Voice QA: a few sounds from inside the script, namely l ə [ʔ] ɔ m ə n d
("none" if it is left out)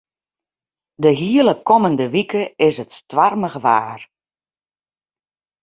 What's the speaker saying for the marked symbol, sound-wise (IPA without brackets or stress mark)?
k